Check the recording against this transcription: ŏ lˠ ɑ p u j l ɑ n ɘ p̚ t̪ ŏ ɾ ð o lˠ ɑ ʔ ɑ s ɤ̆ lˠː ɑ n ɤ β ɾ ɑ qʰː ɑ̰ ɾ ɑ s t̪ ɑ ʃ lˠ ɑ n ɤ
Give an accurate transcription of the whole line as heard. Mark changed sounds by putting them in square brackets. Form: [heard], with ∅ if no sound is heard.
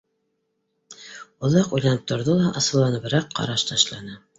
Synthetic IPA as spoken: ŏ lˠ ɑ [q] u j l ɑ n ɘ p̚ t̪ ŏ ɾ ð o lˠ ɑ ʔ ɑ s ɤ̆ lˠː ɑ n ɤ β ɾ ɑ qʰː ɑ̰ ɾ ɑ [ʃ] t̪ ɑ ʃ lˠ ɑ n ɤ